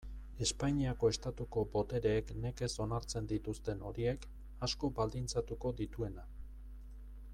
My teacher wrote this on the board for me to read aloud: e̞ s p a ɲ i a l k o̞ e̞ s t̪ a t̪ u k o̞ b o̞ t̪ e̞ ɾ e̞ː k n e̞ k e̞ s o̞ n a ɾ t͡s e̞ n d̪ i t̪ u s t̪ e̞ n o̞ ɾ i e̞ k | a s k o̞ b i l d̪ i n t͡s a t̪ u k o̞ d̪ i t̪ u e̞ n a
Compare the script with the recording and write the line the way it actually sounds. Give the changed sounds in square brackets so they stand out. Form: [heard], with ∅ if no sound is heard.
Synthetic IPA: e̞ s p a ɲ i a [∅] k o̞ e̞ s t̪ a t̪ u k o̞ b o̞ t̪ e̞ ɾ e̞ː k n e̞ k e̞ s o̞ n a ɾ t͡s e̞ n d̪ i t̪ u s t̪ e̞ n o̞ ɾ i e̞ k | a s k o̞ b [a] l d̪ i n t͡s a t̪ u k o̞ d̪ i t̪ u e̞ n a